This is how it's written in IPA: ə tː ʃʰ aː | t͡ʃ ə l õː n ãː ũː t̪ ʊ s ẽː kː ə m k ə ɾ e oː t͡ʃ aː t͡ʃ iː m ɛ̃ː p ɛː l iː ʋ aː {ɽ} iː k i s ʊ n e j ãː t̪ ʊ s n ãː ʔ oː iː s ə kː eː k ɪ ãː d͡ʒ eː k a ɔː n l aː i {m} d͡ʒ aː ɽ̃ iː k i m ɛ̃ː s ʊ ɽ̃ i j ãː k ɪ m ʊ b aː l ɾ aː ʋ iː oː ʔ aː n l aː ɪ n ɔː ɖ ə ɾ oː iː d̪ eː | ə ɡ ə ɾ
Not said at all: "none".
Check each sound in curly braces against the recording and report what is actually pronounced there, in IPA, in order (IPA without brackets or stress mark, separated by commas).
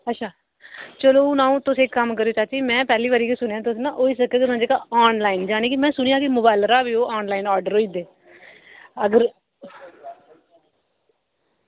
ɾ, n